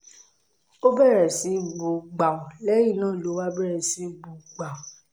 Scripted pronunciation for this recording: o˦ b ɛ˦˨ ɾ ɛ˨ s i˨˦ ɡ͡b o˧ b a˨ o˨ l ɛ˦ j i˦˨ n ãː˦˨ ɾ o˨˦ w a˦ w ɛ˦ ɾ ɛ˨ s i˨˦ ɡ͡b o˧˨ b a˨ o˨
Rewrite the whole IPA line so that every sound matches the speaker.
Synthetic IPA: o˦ b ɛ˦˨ ɾ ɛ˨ s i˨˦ ɡ͡b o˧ ɡ͡b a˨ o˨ l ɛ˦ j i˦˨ n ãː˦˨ l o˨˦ w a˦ b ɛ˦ ɾ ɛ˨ s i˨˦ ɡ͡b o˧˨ ɡ͡b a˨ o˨